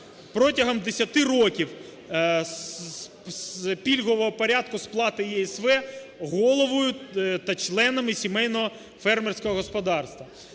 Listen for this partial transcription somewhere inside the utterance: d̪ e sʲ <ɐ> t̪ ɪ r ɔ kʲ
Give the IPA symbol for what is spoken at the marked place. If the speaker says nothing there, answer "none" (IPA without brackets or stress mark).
ɐ